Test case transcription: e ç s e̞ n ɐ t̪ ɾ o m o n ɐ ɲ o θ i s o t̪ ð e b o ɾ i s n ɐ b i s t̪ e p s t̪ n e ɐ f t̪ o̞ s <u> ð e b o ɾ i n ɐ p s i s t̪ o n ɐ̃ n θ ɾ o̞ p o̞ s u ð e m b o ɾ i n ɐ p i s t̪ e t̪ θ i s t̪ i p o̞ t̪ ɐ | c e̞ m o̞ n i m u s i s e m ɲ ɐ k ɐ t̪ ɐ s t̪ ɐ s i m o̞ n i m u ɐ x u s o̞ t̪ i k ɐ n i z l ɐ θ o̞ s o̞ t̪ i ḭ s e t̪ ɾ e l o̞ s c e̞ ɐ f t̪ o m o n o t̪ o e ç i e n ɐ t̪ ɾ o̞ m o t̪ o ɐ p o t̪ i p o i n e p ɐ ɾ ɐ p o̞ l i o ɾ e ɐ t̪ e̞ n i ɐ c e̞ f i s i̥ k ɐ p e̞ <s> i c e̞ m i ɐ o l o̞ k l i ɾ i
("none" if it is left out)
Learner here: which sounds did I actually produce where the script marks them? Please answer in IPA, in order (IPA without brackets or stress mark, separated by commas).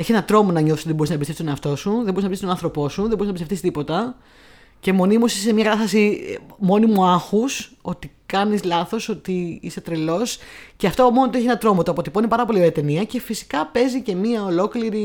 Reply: u, z